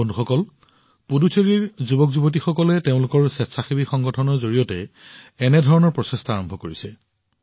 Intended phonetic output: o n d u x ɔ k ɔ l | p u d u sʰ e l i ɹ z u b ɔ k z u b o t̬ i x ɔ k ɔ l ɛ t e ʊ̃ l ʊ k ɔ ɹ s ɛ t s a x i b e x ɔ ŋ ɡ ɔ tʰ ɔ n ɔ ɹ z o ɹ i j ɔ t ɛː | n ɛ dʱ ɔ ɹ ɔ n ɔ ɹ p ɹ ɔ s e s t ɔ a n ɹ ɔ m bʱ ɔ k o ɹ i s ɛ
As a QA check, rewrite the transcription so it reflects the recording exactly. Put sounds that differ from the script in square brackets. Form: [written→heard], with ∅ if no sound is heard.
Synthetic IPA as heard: o n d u x ɔ k ɔ l | p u d u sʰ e [l→ɹ] i ɹ z u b ɔ k z u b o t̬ i x ɔ k ɔ l ɛ t e ʊ̃ l ʊ k ɔ ɹ s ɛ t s a x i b [e→i] x ɔ ŋ ɡ ɔ tʰ ɔ n ɔ ɹ z o ɹ i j ɔ t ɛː | n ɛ dʱ ɔ ɹ ɔ n ɔ ɹ p ɹ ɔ s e s t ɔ a [n→∅] ɹ ɔ m bʱ ɔ k o ɹ i s ɛ

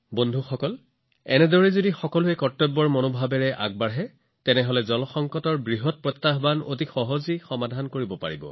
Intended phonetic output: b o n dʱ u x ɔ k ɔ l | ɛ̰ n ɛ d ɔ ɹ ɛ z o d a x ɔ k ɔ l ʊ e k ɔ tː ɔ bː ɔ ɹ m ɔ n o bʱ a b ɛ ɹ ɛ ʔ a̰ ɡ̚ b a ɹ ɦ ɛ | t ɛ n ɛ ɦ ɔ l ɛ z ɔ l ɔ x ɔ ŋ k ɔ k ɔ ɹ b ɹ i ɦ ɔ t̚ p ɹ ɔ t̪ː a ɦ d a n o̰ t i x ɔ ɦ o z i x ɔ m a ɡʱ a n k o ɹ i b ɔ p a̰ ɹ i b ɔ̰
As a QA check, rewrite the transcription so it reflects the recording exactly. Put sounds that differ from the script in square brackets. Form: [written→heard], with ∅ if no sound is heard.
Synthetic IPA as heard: b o n dʱ u x ɔ k ɔ l | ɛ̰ n ɛ d ɔ ɹ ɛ z o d [a→i] x ɔ k ɔ l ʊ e k ɔ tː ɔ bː ɔ ɹ m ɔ n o bʱ a b ɛ ɹ ɛ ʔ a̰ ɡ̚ b a ɹ ɦ ɛ | t ɛ n ɛ ɦ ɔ l ɛ z ɔ l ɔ x ɔ ŋ k ɔ [k→t] ɔ ɹ b ɹ i ɦ ɔ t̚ p ɹ ɔ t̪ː a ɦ [d→b] a n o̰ t i x ɔ ɦ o z i x ɔ m a [ɡʱ→dʱ] a n k o ɹ i b ɔ p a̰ ɹ i b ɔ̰

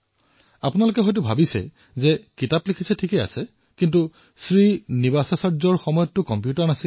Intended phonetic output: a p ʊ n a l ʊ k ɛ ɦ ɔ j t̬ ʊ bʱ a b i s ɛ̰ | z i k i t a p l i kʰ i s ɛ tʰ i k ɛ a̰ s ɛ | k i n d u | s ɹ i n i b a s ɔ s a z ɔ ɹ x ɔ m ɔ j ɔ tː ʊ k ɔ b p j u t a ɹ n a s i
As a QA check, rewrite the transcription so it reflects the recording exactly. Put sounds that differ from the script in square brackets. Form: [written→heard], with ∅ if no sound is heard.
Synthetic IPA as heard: a p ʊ n a l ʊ k ɛ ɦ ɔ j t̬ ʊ bʱ a b i s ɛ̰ | z [i→ɛ] k i t a p l i kʰ i s ɛ tʰ i k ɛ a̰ s ɛ | k i n [d→t] u | s ɹ i n i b a s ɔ s a z ɔ ɹ x ɔ m ɔ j ɔ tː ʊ k ɔ [b→m] p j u t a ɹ n a s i

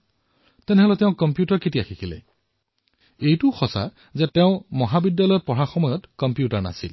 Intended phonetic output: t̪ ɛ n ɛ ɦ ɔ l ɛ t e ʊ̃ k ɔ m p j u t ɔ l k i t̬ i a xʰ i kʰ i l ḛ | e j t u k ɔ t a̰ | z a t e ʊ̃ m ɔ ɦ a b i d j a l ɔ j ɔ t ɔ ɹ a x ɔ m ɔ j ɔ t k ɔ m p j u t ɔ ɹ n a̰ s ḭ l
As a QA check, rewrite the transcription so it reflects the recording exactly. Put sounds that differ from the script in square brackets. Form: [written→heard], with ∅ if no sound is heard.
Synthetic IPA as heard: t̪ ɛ n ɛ ɦ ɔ l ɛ t e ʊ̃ k ɔ m p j u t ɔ [l→ɹ] k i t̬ i a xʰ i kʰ i l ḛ | e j t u [k→x] ɔ [t→s] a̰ | z [a→e] t e ʊ̃ m ɔ ɦ a b i d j a l ɔ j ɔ [t→p] ɔ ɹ a x ɔ m ɔ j ɔ t k ɔ m p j u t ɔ ɹ n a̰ s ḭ l

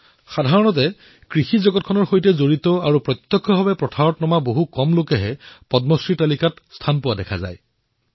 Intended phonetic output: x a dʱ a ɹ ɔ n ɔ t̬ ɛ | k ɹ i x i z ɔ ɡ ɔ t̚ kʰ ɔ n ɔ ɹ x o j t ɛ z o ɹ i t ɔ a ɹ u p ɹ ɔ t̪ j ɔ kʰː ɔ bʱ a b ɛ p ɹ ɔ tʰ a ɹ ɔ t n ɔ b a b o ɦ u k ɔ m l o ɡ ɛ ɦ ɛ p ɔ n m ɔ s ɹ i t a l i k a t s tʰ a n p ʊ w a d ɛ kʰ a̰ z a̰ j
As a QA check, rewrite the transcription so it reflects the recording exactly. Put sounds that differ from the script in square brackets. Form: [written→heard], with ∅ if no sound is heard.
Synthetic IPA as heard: x a dʱ a ɹ ɔ n ɔ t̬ ɛ | k ɹ i x i z ɔ ɡ ɔ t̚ kʰ ɔ n ɔ ɹ x o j t ɛ z o ɹ i t ɔ a ɹ u p ɹ ɔ t̪ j ɔ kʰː ɔ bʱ a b ɛ p ɹ ɔ tʰ a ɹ ɔ t n ɔ [b→m] a b o ɦ u k ɔ m l o [ɡ→k] ɛ ɦ ɛ p ɔ [n→d] m ɔ s ɹ i t a l i k a t s tʰ a n p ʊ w a d ɛ kʰ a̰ z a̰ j

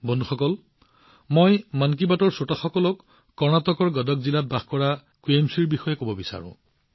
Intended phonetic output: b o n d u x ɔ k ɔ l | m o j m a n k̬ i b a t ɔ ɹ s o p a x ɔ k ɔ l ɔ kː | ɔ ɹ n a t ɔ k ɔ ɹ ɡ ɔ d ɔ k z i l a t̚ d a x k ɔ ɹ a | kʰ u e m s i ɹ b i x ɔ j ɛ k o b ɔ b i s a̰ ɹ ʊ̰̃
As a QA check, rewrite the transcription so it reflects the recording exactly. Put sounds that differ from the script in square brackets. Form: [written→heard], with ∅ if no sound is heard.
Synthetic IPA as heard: b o n d u x ɔ k ɔ l | m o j m a n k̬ i b a t ɔ ɹ s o [p→t] a x ɔ k ɔ l ɔ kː | ɔ ɹ n a t ɔ k ɔ ɹ ɡ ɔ d ɔ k z i l a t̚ [d→b] a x k ɔ ɹ a | [kʰ→k] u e m s i ɹ b i x ɔ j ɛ k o b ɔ b i s a̰ ɹ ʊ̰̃

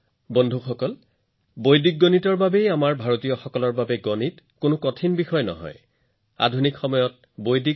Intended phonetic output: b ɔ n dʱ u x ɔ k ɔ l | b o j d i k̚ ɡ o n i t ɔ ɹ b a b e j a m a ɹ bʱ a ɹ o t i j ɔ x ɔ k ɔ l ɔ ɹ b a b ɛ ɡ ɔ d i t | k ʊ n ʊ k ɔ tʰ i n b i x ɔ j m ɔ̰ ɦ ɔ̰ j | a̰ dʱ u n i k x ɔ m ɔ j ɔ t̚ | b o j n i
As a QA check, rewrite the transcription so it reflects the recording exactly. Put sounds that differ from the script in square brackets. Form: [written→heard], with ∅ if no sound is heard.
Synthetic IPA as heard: b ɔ n dʱ u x ɔ k ɔ l | b o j d i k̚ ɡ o n i t ɔ ɹ b a b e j a m a ɹ bʱ a ɹ o t i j ɔ x ɔ k ɔ l ɔ ɹ b a b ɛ ɡ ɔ [d→n] i t | k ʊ n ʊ k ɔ tʰ i n b i x ɔ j [m→n] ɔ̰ ɦ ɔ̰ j | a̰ dʱ u n i k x ɔ m ɔ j ɔ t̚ | b o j [n→d] i

